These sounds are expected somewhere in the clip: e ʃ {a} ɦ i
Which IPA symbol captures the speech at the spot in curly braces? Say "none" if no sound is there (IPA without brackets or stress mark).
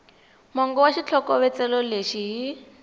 i